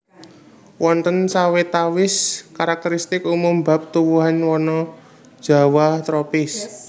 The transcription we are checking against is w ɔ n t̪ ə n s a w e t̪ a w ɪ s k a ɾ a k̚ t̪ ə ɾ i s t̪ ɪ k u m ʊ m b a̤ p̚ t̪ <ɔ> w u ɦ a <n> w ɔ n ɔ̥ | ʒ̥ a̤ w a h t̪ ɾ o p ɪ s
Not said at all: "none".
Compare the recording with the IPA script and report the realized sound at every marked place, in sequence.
u, n

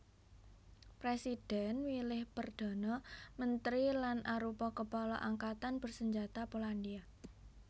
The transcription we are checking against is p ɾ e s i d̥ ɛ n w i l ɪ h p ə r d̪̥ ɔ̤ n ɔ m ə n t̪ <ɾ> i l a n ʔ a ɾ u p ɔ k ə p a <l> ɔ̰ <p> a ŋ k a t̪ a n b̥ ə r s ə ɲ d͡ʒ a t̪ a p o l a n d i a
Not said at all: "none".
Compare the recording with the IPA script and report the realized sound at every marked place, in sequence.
ɾ, l, ʔ

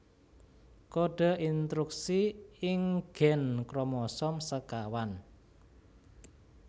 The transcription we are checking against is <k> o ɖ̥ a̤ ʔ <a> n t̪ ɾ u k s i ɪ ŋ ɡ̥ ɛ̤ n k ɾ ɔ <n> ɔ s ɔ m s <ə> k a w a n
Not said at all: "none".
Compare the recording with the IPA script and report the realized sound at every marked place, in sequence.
k, i, m, ə

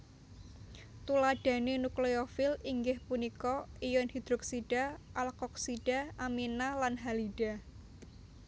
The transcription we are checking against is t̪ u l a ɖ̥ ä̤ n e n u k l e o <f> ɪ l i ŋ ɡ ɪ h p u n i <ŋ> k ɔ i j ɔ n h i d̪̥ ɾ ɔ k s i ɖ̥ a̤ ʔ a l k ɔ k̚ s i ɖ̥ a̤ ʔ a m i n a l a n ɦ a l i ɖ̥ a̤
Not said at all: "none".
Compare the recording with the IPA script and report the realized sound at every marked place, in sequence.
f, none

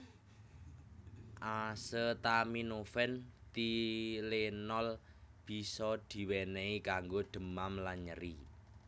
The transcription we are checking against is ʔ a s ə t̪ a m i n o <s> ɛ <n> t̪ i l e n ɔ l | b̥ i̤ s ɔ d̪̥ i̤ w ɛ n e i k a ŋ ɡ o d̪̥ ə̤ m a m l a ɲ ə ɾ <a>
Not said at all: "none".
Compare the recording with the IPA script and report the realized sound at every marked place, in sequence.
f, n, i

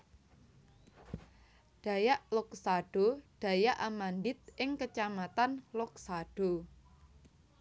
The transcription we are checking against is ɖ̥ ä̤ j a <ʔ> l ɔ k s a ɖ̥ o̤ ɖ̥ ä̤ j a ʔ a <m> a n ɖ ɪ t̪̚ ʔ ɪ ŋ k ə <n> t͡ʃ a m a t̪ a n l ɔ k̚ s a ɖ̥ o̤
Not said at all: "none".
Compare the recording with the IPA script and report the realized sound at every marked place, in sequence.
ʔ, m, none

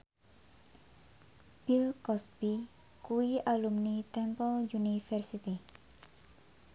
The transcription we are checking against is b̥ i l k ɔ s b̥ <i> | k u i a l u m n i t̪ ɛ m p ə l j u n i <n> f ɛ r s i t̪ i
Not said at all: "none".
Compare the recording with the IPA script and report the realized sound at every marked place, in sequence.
i, none

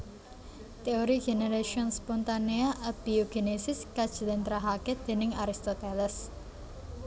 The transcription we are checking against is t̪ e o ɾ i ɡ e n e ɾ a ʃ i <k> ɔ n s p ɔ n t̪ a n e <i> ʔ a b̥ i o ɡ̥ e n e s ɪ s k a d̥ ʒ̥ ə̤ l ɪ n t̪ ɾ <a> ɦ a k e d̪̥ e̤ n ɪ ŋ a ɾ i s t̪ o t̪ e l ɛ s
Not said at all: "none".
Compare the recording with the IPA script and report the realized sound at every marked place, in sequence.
none, a, a

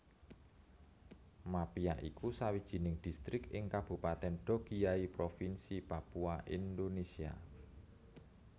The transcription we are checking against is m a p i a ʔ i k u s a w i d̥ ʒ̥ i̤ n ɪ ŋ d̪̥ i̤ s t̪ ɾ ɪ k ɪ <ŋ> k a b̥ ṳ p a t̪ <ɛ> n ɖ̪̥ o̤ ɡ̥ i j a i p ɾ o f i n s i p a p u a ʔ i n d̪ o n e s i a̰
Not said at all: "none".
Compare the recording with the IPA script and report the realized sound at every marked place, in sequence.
ŋ, ɛ

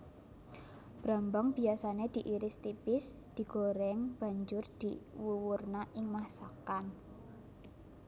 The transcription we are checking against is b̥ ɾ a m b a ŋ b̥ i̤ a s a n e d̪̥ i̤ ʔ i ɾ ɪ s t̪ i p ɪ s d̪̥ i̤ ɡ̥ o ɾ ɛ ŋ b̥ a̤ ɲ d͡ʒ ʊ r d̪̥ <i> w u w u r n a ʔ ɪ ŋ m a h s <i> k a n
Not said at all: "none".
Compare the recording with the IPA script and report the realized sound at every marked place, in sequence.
i, a

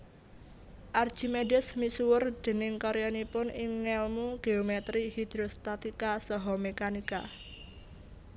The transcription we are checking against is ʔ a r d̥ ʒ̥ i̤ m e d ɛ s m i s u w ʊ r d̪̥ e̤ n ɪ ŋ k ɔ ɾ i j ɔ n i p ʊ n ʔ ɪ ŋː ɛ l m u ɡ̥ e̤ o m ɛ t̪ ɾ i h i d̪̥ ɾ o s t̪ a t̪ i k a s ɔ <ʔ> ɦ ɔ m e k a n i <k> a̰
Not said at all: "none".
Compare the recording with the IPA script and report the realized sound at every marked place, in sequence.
none, k

